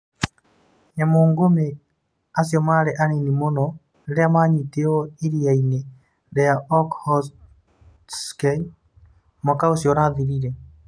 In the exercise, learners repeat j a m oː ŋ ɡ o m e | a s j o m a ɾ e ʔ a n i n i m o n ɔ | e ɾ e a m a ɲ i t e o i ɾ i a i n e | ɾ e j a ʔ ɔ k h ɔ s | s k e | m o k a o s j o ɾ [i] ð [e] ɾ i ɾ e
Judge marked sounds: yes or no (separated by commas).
no, no